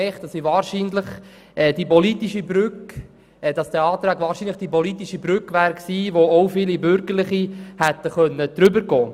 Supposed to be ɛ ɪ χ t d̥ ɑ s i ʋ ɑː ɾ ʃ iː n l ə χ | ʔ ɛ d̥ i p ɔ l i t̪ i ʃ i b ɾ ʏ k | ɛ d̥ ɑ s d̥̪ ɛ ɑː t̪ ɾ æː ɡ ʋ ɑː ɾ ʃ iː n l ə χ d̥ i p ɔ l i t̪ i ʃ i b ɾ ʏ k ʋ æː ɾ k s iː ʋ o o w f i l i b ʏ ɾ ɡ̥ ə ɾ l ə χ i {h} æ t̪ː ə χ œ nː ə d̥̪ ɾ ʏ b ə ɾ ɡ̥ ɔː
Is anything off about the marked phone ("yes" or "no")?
no